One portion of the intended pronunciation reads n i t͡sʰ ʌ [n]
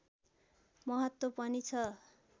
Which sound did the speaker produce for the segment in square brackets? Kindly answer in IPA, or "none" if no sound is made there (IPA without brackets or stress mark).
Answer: none